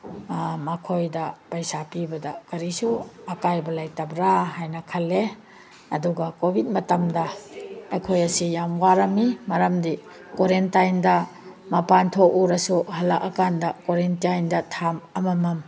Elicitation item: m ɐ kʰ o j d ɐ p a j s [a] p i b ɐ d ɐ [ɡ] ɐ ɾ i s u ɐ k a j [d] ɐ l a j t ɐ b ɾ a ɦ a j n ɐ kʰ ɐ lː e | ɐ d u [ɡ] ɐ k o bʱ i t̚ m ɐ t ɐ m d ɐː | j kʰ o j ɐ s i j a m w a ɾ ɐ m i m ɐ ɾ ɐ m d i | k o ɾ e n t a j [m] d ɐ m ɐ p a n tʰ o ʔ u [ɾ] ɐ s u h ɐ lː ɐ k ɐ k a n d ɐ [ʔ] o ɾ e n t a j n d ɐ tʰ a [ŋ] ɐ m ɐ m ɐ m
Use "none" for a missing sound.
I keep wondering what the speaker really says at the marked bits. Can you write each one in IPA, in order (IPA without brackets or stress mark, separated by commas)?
a, k, b, ɡ, n, ɾ, k, m